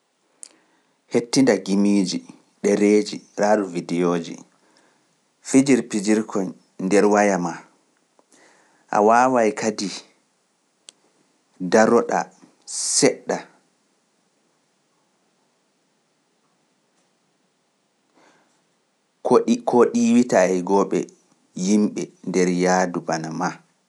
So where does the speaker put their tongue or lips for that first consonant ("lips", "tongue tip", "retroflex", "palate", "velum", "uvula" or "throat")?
throat